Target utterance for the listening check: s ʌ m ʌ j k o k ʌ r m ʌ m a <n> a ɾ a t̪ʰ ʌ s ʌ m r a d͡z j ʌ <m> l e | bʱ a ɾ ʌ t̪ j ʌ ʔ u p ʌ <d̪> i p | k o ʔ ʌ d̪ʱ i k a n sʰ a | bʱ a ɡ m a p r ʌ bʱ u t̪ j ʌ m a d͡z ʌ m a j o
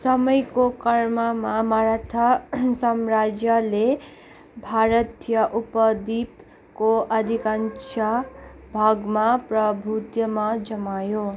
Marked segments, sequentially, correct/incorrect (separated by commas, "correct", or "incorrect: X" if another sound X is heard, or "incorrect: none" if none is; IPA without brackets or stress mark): incorrect: m, incorrect: none, correct